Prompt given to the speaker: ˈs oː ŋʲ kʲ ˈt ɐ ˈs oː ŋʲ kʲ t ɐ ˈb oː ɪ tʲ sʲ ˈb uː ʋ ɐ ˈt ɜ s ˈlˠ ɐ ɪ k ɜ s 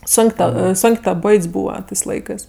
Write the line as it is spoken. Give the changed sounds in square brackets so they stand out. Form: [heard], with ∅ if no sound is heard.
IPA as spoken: ˈs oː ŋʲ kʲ ˈt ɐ ˈs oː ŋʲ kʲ t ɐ ˈb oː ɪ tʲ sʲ ˈb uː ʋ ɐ ˈt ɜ s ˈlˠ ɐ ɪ k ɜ s